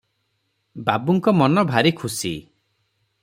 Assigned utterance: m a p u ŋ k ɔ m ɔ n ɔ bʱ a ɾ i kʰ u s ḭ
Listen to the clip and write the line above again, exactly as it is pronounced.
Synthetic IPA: b a b u ŋ k ɔ m ɔ n ɔ bʱ a ɾ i kʰ u s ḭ